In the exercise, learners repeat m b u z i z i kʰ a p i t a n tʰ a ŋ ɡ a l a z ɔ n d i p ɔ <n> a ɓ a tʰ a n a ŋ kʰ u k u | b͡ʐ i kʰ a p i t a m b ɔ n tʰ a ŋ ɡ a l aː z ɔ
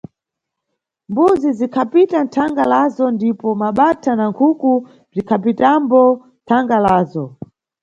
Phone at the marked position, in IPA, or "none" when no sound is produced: m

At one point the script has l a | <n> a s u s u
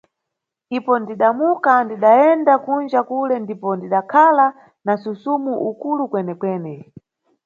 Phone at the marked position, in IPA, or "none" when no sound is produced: n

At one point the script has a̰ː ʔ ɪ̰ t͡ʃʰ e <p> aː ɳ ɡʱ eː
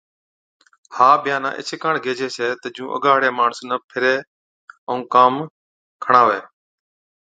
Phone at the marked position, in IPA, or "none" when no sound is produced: k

